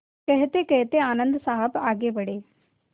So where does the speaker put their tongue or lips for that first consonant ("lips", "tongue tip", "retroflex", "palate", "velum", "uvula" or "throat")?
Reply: velum